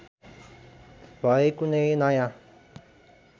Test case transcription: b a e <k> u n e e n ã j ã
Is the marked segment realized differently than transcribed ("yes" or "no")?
no